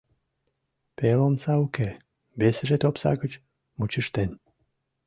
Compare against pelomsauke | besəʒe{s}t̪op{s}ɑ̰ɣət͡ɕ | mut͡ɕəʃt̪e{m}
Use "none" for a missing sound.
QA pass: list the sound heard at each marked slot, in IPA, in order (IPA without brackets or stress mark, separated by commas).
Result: none, s, n